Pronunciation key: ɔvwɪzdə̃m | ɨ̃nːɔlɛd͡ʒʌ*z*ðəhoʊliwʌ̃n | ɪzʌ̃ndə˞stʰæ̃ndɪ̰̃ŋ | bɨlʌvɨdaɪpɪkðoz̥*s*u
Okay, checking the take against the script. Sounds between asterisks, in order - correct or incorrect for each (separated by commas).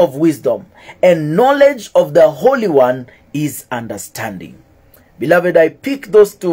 incorrect, incorrect